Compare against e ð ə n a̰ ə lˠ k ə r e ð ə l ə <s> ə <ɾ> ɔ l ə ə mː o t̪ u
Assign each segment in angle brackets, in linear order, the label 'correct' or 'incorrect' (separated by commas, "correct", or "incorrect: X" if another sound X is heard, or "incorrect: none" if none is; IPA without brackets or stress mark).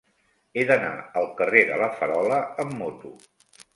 incorrect: f, correct